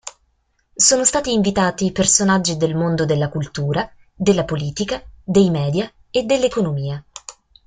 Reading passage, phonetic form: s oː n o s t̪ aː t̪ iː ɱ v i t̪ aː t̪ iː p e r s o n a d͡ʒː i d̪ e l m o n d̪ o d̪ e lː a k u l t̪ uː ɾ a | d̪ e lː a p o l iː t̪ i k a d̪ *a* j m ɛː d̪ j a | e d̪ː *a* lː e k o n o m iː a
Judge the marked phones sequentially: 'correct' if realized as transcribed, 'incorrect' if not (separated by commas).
incorrect, incorrect